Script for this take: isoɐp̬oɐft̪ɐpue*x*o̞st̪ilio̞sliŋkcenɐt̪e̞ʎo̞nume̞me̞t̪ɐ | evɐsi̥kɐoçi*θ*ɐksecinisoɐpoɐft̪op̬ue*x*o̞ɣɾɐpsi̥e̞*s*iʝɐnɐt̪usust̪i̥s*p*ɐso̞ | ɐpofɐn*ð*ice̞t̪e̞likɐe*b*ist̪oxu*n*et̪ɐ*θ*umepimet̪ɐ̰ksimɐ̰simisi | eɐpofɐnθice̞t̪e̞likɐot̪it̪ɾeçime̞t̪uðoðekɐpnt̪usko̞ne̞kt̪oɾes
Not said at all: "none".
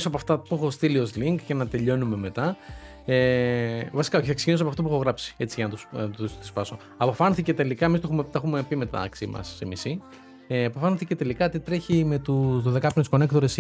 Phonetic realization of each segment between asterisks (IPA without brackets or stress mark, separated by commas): x, θ, x, t͡s, p, θ, m, m, x